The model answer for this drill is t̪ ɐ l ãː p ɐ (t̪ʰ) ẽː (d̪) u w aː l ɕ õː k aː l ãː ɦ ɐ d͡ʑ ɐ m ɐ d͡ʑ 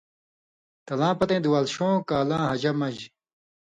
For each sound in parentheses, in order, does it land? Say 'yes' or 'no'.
no, yes

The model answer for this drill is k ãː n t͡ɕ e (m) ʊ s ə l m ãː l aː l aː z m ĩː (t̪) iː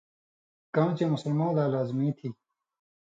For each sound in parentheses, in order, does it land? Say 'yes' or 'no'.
yes, no

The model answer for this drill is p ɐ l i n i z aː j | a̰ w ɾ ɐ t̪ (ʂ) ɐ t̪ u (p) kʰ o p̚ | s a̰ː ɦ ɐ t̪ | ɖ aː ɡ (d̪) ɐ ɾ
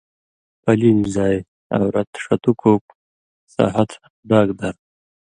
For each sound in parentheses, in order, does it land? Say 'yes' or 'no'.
yes, no, yes

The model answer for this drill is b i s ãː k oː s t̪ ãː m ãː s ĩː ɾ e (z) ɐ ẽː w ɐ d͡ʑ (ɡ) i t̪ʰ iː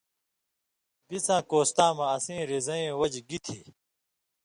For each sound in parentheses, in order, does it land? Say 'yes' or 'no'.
yes, yes

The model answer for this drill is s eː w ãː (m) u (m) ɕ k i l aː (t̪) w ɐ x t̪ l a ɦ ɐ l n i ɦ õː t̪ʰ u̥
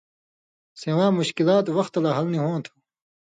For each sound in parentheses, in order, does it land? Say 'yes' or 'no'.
yes, no, yes

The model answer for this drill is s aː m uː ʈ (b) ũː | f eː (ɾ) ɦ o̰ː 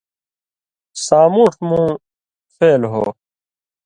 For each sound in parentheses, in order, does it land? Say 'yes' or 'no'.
no, no

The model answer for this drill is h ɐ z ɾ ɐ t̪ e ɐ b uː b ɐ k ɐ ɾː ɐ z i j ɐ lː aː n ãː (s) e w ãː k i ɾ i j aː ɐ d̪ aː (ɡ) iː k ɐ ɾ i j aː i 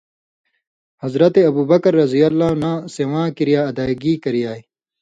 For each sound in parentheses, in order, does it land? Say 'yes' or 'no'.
yes, yes

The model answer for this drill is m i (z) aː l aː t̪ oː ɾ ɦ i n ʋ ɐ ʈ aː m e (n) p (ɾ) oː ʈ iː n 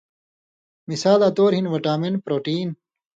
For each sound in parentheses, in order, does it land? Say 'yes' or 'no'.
no, yes, yes

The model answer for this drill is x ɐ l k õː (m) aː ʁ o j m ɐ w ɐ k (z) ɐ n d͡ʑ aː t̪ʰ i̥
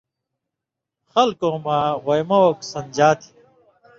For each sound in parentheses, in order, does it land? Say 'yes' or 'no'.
yes, no

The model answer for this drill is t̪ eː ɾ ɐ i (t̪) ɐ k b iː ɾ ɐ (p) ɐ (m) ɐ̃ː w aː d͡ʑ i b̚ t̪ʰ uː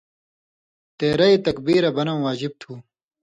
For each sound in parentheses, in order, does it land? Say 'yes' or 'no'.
yes, no, no

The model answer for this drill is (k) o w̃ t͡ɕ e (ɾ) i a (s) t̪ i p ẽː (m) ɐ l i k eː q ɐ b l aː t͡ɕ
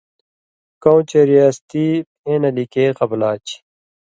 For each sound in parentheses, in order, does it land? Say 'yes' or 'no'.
yes, yes, yes, no

